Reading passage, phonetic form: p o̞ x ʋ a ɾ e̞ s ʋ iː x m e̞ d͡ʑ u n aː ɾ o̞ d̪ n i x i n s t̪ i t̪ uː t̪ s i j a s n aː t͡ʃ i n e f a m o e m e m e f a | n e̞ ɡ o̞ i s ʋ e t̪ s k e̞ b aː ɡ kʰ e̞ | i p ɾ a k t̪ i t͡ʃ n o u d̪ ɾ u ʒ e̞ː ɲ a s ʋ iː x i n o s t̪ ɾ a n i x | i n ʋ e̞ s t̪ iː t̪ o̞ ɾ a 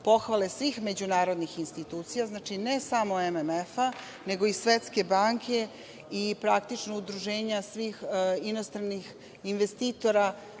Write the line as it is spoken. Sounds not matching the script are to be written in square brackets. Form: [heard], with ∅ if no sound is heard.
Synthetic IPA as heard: p o̞ x ʋ a [l] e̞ s ʋ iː x m e̞ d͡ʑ u n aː ɾ o̞ d̪ n i x i n s t̪ i t̪ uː t̪ s i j a [z] n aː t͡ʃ i n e [s] a m o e m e m e f a | n e̞ ɡ o̞ i s ʋ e t̪ s k e̞ b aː [ŋ] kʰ e̞ | i p ɾ a k t̪ i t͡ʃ n o u d̪ ɾ u ʒ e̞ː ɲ a s ʋ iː x i n o s t̪ ɾ a n i x | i n ʋ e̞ s t̪ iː t̪ o̞ ɾ a